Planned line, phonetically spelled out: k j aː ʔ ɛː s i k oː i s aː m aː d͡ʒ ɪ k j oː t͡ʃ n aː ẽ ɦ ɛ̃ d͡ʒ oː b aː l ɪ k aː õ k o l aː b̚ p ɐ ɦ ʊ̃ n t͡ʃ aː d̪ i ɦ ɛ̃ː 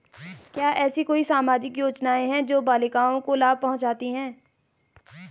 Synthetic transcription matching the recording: k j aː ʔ ɛː s i k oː i s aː m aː d͡ʒ ɪ k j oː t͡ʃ n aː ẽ ɦ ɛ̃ d͡ʒ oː b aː l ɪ k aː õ k o l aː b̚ p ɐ ɦ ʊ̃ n t͡ʃ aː t̪ i ɦ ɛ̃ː